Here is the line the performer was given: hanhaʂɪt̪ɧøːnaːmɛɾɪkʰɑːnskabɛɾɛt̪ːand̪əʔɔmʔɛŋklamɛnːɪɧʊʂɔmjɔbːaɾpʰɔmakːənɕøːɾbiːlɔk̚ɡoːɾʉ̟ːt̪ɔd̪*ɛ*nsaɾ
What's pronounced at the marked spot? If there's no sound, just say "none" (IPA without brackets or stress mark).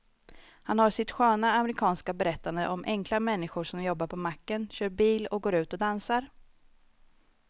a